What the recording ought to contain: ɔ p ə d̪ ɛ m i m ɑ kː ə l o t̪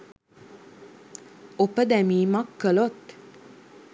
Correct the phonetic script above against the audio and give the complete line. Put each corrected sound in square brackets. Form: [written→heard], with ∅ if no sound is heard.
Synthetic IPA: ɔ p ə d̪ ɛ m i m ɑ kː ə l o t̪